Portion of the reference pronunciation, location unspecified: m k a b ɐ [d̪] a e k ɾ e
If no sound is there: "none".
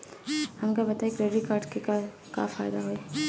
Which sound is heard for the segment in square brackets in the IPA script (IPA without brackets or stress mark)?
t̪